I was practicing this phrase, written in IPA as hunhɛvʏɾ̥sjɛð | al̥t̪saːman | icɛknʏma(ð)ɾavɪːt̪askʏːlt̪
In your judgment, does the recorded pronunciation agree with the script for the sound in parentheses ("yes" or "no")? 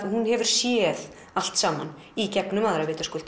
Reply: yes